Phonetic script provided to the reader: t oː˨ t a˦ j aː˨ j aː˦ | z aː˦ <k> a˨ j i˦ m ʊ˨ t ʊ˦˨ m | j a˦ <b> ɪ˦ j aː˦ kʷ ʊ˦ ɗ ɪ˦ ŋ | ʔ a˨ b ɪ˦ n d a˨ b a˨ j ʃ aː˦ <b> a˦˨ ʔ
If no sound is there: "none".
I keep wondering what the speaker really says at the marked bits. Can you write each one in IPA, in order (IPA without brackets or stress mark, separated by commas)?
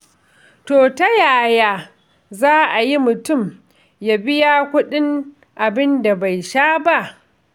ʔ, b, b